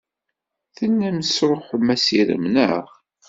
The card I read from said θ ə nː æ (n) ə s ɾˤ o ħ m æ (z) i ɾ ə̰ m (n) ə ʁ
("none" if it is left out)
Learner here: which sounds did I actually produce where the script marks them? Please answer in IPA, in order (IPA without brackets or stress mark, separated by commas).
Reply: m, s, n